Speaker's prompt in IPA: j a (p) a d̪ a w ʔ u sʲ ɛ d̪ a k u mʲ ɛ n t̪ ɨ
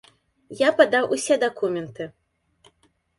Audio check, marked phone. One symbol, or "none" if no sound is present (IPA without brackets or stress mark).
p